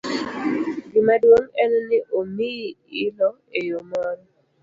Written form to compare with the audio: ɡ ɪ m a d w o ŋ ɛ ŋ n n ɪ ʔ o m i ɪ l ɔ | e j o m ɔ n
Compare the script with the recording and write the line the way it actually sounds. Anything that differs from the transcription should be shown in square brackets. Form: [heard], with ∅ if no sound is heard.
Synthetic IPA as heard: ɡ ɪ m a d w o ŋ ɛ [∅] n n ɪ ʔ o m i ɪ l ɔ | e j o m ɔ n